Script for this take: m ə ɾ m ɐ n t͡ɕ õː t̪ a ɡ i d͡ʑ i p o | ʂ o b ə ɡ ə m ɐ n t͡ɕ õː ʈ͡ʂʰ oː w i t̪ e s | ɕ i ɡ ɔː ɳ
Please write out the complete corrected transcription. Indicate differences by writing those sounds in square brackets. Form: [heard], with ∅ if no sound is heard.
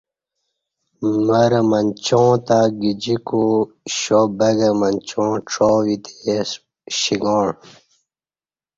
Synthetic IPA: m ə ɾ m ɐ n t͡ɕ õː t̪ a ɡ i d͡ʑ i [k] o | [ɕ] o b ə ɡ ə m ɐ n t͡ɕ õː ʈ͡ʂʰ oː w i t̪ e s | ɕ i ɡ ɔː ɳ